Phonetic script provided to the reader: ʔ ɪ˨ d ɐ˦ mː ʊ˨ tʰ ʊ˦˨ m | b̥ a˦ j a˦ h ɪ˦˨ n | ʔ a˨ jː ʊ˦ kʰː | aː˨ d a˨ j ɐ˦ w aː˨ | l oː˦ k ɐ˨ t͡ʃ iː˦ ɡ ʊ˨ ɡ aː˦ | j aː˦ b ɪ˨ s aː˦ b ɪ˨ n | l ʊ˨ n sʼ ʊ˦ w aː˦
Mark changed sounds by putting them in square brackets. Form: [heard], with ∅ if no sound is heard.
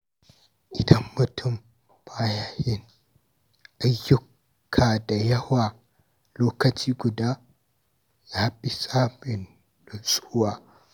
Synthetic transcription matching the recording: ʔ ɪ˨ d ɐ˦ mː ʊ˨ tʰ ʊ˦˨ m | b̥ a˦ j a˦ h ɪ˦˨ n | ʔ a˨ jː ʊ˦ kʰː | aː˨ d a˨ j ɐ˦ w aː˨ | l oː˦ k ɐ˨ t͡ʃ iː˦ ɡ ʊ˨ [d] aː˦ | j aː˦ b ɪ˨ s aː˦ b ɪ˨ n | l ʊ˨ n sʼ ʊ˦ w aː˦